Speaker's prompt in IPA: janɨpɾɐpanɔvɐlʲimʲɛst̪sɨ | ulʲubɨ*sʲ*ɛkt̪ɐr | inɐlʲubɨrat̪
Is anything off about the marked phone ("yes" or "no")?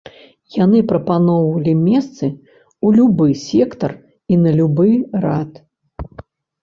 no